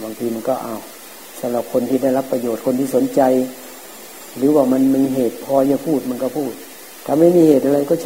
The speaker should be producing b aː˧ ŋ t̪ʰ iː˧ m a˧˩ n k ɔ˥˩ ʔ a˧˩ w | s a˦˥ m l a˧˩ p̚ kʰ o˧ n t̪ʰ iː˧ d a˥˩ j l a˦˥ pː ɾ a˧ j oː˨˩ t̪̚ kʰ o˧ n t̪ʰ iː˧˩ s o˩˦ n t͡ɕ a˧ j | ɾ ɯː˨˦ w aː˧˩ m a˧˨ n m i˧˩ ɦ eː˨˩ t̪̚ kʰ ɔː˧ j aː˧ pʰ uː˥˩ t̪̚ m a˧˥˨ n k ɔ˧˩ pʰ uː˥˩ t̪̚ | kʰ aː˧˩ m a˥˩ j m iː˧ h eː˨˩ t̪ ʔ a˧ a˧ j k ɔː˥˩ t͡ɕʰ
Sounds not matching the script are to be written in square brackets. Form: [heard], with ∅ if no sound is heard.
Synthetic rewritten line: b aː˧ ŋ t̪ʰ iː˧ m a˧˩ n k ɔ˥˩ ʔ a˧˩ w | s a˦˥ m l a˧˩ p̚ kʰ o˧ n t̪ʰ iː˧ d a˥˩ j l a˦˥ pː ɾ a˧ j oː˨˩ t̪̚ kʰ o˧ n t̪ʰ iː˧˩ s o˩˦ n t͡ɕ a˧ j | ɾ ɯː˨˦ w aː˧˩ m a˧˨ n m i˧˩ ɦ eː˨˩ t̪̚ [pʰ] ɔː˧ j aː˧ pʰ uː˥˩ t̪̚ m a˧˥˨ n k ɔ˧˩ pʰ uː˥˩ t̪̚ | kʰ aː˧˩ m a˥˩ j m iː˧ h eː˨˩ t̪ ʔ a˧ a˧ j k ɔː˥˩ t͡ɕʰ